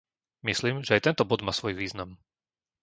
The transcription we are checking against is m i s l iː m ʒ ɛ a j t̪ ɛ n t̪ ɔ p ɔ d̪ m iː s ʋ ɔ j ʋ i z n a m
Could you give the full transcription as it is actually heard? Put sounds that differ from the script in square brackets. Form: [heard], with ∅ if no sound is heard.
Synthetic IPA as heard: m i s l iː m ʒ ɛ a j t̪ ɛ n t̪ ɔ [b] ɔ d̪ m [aː] s ʋ ɔ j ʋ [iː] z n a m